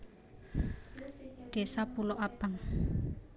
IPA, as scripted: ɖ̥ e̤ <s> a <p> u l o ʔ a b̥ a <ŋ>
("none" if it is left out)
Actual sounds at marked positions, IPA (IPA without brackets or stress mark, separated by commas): s, p, ŋ